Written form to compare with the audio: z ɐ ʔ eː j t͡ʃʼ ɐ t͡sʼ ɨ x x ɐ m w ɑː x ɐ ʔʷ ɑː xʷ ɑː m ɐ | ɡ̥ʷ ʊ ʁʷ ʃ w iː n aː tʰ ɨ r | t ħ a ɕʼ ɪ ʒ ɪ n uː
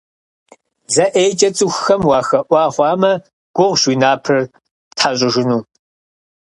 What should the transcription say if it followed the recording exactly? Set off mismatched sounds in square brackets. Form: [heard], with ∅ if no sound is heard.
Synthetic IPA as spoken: z ɐ ʔ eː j t͡ʃʼ ɐ t͡sʼ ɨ x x ɐ m w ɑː x ɐ ʔʷ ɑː [χʷ] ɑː m ɐ | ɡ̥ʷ ʊ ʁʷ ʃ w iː n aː [pʰ] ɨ r | t ħ a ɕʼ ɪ ʒ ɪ n uː